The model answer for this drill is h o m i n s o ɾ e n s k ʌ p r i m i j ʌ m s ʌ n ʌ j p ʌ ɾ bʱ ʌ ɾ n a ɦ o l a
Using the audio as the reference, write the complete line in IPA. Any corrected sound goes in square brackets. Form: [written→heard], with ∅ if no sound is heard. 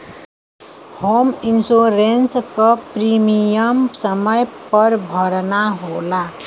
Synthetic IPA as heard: h o m i n s o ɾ e n s k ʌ p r i m i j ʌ m s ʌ [n→m] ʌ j p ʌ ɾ bʱ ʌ ɾ n a ɦ o l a